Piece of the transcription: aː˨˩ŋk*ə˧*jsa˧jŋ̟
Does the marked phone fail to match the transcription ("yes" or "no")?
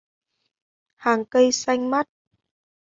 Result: no